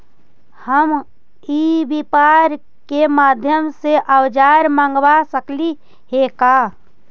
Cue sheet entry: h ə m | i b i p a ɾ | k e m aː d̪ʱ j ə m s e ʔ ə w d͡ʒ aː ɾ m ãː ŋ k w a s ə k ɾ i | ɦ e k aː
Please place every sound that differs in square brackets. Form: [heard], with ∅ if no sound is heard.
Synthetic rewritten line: h ə m | i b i p a ɾ | k e m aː d̪ʱ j ə m s e ʔ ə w d͡ʒ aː ɾ m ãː ŋ [ɡ] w a s ə k [l] i | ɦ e k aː